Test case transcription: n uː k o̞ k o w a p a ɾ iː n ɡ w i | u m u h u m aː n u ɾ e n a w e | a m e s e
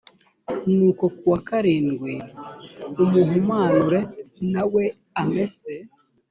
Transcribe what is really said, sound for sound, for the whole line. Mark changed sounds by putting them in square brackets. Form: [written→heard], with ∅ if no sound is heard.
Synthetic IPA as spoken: n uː k o̞ k [o→u] w a [p→k] a ɾ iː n ɡ w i | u m u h u m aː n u ɾ e n a w e | a m e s e